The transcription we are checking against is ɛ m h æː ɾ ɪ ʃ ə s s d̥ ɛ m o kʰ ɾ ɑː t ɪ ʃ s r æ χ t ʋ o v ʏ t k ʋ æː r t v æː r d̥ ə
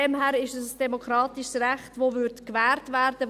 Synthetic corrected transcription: ɛ m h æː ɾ ɪ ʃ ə s s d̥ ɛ m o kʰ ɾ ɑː t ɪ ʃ s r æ χ t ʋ o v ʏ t k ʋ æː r t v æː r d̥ ə

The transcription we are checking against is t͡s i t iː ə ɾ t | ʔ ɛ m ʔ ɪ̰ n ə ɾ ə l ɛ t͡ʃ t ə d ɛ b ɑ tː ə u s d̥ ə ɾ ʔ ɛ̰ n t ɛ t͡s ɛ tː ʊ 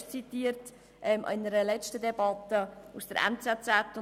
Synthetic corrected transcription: t͡s i t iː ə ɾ t | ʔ ɛ m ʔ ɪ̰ n ə ɾ ə l ɛ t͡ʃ t ə d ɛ b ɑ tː ə u s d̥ ə ɾ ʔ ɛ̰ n t͡s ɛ t͡s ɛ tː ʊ

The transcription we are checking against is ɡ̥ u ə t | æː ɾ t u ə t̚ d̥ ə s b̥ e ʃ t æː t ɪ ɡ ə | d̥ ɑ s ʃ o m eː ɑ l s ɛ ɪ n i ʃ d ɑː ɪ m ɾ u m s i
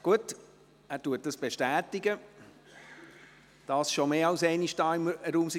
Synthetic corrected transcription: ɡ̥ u ə t | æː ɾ t u ə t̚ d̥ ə s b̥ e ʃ t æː t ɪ ɡ ə | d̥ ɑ s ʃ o m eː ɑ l s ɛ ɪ n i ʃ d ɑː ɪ m ɾ uː m s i

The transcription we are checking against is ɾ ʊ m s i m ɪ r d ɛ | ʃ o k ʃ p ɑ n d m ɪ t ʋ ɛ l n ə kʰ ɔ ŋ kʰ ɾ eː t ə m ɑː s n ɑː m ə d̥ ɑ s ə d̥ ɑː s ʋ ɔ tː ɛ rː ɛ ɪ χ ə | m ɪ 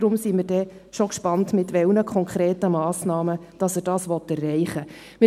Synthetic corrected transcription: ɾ ʊ m s i m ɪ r d ɛ | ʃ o k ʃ p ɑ n t m ɪ t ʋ ɛ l n ə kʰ ɔ ŋ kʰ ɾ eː t ə m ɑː s n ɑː m ə d̥ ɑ s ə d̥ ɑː s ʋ ɔ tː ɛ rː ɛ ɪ χ ə | m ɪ

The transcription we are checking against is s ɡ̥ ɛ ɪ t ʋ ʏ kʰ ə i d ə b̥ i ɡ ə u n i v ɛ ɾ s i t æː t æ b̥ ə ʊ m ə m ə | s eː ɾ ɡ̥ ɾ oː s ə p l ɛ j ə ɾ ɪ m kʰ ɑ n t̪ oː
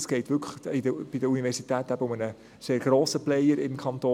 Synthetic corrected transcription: s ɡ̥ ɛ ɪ t ʋ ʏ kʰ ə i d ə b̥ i d ə u n i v ɛ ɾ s i t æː t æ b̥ ə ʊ m ə n ə | s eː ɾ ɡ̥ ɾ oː s ə p l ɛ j ə ɾ ɪ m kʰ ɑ n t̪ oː

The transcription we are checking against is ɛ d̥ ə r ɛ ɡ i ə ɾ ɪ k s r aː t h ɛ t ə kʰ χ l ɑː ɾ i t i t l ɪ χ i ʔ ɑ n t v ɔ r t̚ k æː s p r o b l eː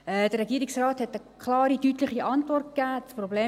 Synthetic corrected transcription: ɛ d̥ ə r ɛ ɡ i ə ɾ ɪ k s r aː t h ɛ t ə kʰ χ l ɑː ɾ i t y t l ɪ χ i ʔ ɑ n t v ɔ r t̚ k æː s p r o b l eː

